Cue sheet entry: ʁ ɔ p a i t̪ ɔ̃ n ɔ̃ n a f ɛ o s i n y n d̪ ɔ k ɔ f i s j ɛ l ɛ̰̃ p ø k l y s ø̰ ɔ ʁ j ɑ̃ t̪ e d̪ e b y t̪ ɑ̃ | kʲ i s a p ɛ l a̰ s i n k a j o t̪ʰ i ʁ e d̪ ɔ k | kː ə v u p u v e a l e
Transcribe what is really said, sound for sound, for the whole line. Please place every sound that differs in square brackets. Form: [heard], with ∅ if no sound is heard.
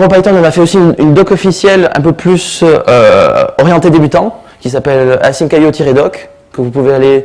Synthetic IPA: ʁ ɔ p a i t̪ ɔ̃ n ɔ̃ n a f ɛ o s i n y n d̪ ɔ k ɔ f i s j ɛ l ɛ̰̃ p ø [p] l y s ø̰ ɔ ʁ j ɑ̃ t̪ e d̪ e b y t̪ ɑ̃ | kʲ i s a p ɛ l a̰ s i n k a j o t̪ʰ i ʁ e d̪ ɔ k | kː ə v u p u v e a l e